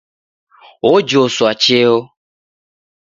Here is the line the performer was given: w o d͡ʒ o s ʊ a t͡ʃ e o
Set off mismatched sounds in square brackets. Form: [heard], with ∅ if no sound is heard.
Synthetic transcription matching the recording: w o d͡ʒ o s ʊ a t͡ʃ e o